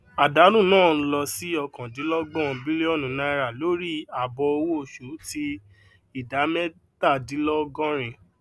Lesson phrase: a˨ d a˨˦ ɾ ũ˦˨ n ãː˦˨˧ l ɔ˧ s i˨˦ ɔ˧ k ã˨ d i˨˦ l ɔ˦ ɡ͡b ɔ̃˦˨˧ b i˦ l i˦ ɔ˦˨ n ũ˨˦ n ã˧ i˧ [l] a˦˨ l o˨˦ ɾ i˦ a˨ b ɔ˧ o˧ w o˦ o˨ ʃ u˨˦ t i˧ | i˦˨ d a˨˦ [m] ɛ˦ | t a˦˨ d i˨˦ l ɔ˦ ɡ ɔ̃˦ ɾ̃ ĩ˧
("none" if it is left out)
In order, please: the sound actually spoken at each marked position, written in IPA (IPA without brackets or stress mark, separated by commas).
ɾ, m